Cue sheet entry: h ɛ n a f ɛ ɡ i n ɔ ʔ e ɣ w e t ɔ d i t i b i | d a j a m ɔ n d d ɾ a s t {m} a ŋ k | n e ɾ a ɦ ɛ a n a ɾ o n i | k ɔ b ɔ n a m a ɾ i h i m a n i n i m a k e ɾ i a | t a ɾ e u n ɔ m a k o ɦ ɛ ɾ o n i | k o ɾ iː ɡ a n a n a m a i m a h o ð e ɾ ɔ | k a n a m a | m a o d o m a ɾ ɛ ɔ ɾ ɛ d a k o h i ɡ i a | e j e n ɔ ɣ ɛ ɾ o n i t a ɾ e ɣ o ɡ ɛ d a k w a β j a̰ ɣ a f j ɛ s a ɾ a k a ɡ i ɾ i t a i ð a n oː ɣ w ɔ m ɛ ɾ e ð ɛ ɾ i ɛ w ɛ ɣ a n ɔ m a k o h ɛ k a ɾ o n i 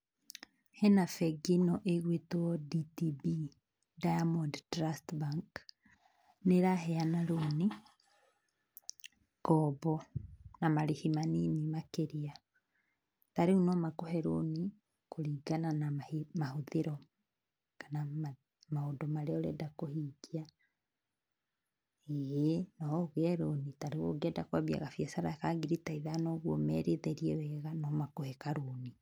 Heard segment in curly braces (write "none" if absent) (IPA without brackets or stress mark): b